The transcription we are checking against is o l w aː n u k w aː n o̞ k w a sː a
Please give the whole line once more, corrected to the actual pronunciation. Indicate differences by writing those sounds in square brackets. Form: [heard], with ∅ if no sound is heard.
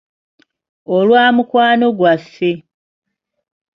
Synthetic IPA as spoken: o l w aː [m] u k w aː n o̞ [ɡ] w a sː [e]